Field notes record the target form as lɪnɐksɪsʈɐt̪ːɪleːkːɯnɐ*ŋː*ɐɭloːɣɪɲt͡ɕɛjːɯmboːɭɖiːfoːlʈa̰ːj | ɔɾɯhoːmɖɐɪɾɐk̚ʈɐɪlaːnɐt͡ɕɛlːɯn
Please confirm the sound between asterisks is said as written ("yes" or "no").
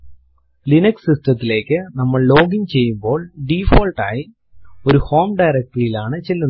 no